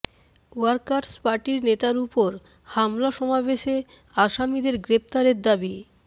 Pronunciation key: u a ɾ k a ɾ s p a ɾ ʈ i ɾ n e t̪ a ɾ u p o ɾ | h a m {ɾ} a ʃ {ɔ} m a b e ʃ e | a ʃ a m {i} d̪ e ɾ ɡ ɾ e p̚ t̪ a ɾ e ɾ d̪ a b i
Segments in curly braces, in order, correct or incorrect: incorrect, correct, correct

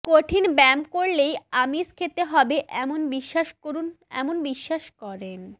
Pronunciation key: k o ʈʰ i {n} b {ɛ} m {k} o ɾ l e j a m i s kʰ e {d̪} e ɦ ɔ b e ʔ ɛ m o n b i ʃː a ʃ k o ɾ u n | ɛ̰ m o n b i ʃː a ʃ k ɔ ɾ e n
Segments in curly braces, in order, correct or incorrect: correct, correct, correct, incorrect

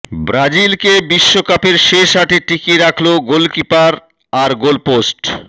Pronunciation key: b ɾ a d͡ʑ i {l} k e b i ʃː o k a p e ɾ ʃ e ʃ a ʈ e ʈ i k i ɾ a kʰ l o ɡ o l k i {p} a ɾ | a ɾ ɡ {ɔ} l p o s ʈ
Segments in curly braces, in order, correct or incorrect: correct, correct, incorrect

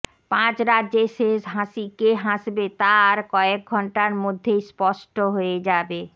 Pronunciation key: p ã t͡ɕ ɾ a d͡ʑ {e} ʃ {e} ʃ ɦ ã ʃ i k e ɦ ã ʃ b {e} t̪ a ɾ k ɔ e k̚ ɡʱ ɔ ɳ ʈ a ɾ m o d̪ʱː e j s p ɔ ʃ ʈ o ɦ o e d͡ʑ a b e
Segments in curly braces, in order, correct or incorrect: correct, correct, correct

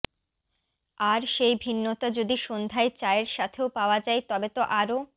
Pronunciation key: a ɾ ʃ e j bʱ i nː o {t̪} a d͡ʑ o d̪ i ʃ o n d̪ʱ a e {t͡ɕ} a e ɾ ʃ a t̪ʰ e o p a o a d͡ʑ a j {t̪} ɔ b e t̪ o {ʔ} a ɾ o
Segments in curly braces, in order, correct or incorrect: correct, correct, correct, correct

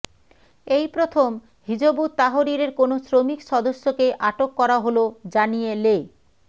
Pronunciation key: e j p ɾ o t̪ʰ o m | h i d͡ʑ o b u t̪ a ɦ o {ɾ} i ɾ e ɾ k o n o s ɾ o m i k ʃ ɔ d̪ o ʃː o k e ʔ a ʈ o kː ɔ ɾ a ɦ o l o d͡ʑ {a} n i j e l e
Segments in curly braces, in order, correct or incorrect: correct, correct

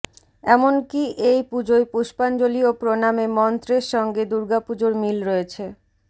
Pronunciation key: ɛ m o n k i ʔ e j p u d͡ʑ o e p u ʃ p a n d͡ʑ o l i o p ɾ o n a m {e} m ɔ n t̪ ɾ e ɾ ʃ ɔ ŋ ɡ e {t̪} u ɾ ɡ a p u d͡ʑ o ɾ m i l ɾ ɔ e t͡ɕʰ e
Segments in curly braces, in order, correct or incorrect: correct, incorrect

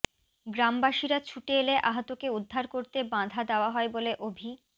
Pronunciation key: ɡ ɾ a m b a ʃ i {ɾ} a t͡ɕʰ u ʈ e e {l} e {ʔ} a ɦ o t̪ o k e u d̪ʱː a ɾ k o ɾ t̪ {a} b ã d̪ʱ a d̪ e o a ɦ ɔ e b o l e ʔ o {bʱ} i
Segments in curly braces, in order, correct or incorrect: correct, correct, correct, incorrect, correct

